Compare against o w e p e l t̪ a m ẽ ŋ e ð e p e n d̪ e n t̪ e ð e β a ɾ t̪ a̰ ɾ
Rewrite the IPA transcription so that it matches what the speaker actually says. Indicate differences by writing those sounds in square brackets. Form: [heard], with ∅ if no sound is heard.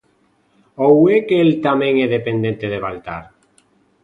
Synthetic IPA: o w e [k] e l t̪ a m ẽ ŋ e ð e p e n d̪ e n t̪ e ð e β a [l] t̪ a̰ ɾ